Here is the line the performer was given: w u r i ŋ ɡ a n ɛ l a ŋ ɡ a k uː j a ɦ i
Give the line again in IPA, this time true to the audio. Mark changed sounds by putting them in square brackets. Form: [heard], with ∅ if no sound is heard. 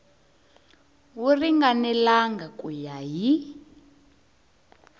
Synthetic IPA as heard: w u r i ŋ ɡ a n ɛ l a ŋ ɡ a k [u] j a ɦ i